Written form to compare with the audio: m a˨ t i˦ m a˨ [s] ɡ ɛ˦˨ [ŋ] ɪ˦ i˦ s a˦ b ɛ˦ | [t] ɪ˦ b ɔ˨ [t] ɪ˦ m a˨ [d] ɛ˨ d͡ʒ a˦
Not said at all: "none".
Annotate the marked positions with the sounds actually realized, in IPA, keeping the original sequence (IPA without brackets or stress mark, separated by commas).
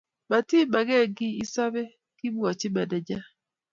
none, ɡ, k, t͡ʃ, d